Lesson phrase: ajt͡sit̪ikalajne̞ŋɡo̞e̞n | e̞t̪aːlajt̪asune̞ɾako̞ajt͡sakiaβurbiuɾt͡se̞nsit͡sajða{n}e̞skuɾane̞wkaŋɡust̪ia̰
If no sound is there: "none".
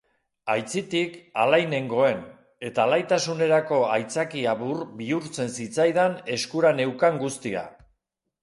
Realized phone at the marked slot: n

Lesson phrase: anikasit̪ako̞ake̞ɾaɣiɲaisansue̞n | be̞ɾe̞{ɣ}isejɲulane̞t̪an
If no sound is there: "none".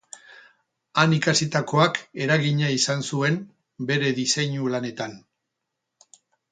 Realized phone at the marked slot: ð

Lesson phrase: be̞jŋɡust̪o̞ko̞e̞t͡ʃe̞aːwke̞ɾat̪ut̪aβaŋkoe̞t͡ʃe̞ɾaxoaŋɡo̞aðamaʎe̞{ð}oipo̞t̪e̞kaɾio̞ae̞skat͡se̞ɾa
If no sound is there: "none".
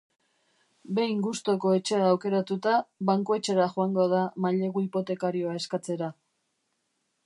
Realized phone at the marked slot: ɣ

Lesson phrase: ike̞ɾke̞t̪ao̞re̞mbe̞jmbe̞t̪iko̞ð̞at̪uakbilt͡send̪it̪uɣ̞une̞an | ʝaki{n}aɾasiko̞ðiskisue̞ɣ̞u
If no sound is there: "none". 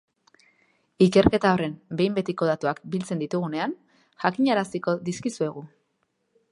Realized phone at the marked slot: ɲ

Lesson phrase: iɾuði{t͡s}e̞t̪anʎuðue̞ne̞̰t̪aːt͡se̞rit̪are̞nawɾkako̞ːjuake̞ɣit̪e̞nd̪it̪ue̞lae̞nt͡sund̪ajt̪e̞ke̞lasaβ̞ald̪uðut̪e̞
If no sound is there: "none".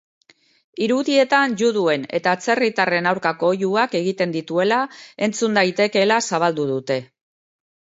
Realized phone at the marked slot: none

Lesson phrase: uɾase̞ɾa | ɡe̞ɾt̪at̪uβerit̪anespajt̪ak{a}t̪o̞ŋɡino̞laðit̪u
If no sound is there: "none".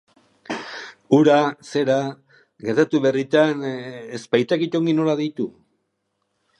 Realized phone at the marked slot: i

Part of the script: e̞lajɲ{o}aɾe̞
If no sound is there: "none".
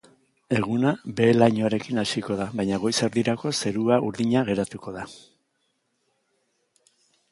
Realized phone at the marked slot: o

